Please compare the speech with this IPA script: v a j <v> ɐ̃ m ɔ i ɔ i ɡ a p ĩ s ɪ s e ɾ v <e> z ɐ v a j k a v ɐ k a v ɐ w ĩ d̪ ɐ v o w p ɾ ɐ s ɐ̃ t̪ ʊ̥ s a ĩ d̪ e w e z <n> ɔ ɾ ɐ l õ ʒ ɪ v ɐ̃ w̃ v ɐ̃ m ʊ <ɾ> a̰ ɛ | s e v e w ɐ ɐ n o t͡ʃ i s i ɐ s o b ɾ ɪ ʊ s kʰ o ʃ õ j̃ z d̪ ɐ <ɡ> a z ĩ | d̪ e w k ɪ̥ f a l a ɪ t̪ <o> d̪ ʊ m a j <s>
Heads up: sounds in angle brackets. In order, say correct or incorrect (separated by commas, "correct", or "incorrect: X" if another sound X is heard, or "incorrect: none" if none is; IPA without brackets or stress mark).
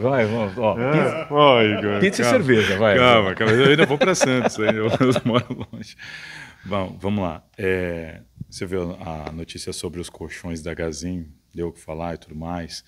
correct, correct, incorrect: m, incorrect: l, correct, incorrect: u, correct